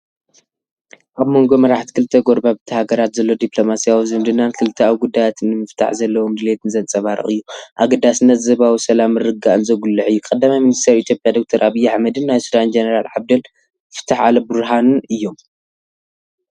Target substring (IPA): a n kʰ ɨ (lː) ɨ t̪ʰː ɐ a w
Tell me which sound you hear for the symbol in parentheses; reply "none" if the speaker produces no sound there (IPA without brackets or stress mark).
l